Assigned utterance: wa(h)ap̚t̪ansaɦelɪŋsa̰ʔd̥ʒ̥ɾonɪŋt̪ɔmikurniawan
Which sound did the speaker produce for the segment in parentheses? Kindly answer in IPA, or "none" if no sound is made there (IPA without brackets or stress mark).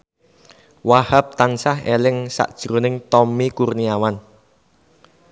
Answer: h